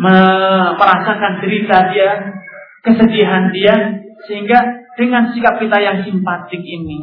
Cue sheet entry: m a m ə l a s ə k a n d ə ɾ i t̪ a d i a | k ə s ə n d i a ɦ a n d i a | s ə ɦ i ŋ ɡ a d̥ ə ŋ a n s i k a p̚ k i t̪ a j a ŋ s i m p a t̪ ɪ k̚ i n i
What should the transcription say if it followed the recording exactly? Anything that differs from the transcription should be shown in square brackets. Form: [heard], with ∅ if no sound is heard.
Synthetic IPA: m [ə] m ə [ɾ] a s [a] k a n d ə ɾ i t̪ a d i a | k ə s ə [∅] d i a ɦ a n d i a | s ə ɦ i ŋ ɡ a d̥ ə ŋ a n s i k a p̚ k i t̪ a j a ŋ s i m p a t̪ ɪ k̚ i n i